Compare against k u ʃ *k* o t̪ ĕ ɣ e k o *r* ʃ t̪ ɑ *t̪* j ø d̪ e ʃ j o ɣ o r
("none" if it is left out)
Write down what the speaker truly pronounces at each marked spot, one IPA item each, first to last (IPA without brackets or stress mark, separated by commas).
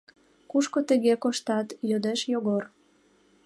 k, none, t̪